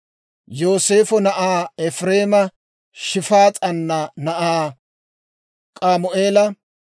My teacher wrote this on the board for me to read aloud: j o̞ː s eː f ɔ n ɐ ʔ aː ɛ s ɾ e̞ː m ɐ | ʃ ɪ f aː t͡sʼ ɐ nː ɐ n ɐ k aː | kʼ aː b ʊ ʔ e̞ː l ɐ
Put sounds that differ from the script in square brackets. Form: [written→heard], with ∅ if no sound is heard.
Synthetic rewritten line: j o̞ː s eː f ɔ n ɐ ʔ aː ɛ [s→f] ɾ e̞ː m ɐ | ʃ ɪ f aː t͡sʼ ɐ nː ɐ n ɐ [k→ʔ] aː | kʼ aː [b→m] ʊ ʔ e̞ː l ɐ

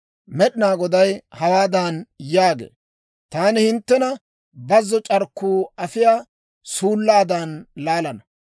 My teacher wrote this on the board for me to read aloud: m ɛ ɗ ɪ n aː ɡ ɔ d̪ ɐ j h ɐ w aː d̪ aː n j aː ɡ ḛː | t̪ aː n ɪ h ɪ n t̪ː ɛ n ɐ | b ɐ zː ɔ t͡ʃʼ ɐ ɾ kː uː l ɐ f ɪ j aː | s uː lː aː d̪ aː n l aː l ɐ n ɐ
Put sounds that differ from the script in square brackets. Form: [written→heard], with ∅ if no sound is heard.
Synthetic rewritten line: m ɛ ɗ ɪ n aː ɡ ɔ d̪ ɐ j h ɐ w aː d̪ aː n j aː ɡ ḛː | t̪ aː n ɪ h ɪ n t̪ː ɛ n ɐ | b ɐ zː ɔ t͡ʃʼ ɐ ɾ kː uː [l→∅] ɐ f ɪ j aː | s uː lː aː d̪ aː n l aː l ɐ n ɐ

